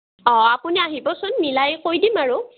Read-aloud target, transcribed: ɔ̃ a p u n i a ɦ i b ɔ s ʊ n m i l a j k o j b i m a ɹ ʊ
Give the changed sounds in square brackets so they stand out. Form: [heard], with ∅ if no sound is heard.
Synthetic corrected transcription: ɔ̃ a p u n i a ɦ i b ɔ s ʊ n m i l a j k o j [d] i m a ɹ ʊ

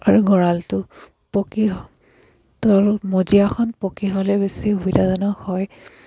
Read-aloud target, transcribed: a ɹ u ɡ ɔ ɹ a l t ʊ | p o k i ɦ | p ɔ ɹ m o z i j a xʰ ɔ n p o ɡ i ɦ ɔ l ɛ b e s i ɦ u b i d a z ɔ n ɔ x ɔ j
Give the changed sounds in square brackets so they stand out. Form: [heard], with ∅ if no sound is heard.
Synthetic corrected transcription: a ɹ u ɡ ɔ ɹ a l t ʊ | p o k i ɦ | [t] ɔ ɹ m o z i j a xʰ ɔ n p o [k] i ɦ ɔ l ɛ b e s i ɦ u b i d a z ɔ n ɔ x ɔ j

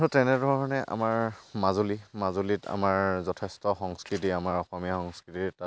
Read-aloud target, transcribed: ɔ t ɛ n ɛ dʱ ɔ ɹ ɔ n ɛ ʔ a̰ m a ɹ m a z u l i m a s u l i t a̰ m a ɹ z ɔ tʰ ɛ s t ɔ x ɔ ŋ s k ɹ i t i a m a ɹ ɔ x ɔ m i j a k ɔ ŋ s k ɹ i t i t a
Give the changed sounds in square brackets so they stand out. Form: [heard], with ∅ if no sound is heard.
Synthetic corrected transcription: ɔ t ɛ n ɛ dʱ ɔ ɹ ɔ n ɛ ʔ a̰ m a ɹ m a z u l i m a [z] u l i t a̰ m a ɹ z ɔ tʰ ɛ s t ɔ x ɔ ŋ s k ɹ i t i a m a ɹ ɔ x ɔ m i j a [x] ɔ ŋ s k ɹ i t i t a

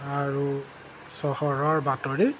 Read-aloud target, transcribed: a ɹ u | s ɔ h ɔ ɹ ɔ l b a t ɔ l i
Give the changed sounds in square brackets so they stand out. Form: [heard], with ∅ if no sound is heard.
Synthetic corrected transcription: a ɹ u | s ɔ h ɔ ɹ ɔ [ɹ] b a t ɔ [ɹ] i

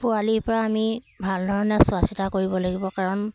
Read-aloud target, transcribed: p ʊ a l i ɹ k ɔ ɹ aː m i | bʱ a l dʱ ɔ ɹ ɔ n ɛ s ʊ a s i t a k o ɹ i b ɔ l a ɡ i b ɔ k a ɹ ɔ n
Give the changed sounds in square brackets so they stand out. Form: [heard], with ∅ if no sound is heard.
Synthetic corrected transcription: p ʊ a l i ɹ [p] ɔ ɹ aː m i | bʱ a l dʱ ɔ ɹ ɔ n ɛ s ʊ a s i t a k o ɹ i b ɔ l a ɡ i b ɔ k a ɹ ɔ n

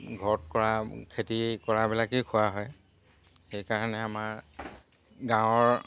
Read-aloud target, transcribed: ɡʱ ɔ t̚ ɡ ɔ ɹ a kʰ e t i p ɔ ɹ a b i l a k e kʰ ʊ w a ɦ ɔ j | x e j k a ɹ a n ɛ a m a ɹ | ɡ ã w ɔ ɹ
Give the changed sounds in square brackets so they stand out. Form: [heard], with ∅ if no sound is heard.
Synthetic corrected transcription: ɡʱ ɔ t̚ [k] ɔ ɹ a kʰ e t i [k] ɔ ɹ a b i l a k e kʰ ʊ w a ɦ ɔ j | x e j k a ɹ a n ɛ a m a ɹ | ɡ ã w ɔ ɹ

